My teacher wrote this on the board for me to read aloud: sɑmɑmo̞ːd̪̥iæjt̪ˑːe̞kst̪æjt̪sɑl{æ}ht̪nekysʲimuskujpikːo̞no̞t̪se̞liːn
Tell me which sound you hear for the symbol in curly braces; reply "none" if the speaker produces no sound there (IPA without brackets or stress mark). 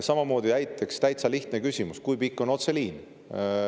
i